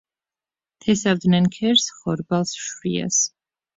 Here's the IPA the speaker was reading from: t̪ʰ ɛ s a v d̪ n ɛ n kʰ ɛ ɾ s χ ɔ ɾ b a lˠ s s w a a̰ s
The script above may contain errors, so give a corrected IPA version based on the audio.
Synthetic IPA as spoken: t̪ʰ ɛ s a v d̪ n ɛ n kʰ ɛ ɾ s χ ɔ ɾ b a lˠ s ʃ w i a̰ s